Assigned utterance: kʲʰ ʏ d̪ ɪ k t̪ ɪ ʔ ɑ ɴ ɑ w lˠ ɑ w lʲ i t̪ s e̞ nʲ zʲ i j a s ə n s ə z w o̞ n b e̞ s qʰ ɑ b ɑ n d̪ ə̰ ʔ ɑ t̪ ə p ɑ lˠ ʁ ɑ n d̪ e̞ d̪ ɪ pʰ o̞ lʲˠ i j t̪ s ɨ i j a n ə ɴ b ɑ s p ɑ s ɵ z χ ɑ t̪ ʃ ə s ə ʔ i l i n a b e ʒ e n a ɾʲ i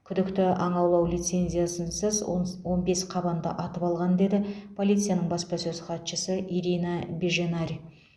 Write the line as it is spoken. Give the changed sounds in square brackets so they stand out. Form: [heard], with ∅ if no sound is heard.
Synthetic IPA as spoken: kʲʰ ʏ d̪ ɪ k t̪ ɪ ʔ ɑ ɴ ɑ w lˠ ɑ w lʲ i t̪ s e̞ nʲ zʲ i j a s ə n s ə z w o̞ n b e̞ s qʰ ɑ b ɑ n d̪ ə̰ ʔ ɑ t̪ ə p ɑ lˠ ʁ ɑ n d̪ e̞ d̪ ɪ pʰ o̞ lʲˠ i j t̪ s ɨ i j a n ə ɴ b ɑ s p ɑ s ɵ z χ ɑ t̪ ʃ ə s ə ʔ i [ɾ] i n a b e ʒ e n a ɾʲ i

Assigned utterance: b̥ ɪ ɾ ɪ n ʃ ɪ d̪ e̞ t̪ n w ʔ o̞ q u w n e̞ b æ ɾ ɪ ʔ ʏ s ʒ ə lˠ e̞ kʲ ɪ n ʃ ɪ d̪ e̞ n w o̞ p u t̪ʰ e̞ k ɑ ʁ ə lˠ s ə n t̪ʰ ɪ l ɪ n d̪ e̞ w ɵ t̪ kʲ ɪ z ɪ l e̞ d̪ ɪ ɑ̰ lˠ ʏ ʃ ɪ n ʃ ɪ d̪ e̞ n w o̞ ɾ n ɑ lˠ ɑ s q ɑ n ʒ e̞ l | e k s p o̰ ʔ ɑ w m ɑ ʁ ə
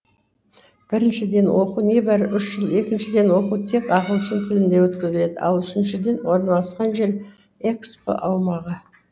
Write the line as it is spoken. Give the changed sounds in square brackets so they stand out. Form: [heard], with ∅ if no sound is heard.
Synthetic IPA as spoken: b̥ ɪ ɾ ɪ n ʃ ɪ d̪ e̞ [∅] n w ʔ o̞ q u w n e̞ b æ ɾ ɪ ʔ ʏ [ʃ] ʒ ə lˠ e̞ kʲ ɪ n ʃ ɪ d̪ e̞ n w o̞ [q] u t̪ʰ e̞ k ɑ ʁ ə lˠ s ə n t̪ʰ ɪ l ɪ n d̪ e̞ w ɵ t̪ kʲ ɪ z ɪ l e̞ d̪ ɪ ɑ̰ lˠ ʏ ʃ ɪ n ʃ ɪ d̪ e̞ n w o̞ ɾ n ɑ lˠ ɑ s q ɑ n ʒ e̞ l | e k s p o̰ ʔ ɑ w m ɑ ʁ ə

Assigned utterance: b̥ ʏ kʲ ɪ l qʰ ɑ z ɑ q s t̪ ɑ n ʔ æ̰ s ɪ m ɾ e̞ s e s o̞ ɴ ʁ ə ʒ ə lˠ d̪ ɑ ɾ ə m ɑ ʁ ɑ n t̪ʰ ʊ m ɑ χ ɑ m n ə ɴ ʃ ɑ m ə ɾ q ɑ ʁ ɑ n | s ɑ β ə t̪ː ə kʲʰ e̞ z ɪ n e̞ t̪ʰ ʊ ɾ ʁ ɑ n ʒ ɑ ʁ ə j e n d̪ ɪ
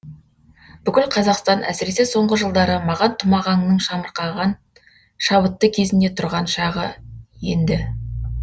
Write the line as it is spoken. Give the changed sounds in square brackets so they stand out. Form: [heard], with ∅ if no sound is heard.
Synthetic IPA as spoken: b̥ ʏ kʲ ɪ l qʰ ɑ z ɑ q s t̪ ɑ n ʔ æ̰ s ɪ [∅] ɾ e̞ s e s o̞ ɴ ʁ ə ʒ ə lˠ d̪ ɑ ɾ ə m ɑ ʁ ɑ n t̪ʰ ʊ m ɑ [ʁ] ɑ [ŋ] n ə ɴ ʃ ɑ m ə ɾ q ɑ ʁ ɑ n | [ʃ] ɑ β ə t̪ː ə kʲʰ e̞ z ɪ n e̞ t̪ʰ ʊ ɾ ʁ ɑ n [ʃ] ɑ ʁ ə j e n d̪ ɪ

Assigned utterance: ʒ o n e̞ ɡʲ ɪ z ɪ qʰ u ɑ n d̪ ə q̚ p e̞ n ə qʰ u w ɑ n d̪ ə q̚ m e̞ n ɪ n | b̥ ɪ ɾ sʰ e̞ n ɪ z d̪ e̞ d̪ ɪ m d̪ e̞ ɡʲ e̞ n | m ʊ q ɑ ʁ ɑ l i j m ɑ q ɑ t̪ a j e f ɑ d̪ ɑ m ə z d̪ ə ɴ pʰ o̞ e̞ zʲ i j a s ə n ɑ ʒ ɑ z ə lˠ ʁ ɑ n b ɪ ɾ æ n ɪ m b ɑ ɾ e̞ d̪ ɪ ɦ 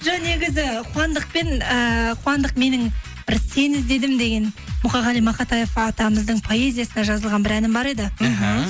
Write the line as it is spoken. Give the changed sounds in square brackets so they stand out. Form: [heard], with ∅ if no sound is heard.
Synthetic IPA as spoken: ʒ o n e̞ ɡʲ ɪ z ɪ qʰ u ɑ n d̪ ə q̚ p e̞ n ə qʰ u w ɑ n d̪ ə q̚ m e̞ n ɪ [ŋ] | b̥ ɪ ɾ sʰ e̞ n ɪ z d̪ e̞ d̪ ɪ m d̪ e̞ ɡʲ e̞ n | m ʊ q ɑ ʁ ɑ l i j m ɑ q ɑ t̪ [ɑ] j e f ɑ [t̪] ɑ m ə z d̪ ə ɴ pʰ o̞ e̞ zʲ i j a s ə n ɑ ʒ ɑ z ə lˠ ʁ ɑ n b ɪ ɾ æ n ɪ m b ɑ ɾ e̞ d̪ ɪ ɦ

